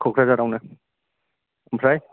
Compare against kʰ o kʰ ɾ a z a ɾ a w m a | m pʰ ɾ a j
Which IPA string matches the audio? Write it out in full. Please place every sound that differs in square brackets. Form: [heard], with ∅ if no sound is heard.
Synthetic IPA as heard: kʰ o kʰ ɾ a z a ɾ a w [n] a | m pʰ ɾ a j